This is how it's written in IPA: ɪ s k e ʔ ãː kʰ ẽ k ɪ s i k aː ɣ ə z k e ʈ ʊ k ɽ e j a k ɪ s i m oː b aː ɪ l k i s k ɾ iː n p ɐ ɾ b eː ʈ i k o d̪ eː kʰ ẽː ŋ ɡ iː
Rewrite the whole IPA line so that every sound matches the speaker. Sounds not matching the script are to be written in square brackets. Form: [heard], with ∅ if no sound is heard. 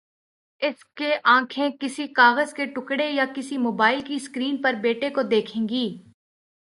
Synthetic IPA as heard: ɪ s k e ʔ ãː kʰ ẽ k ɪ s i k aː ɣ ə z k e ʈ ʊ k ɽ e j a k ɪ s i m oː b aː ɪ l k i s k ɾ iː n p ɐ ɾ b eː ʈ [e] k o d̪ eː kʰ ẽː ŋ ɡ iː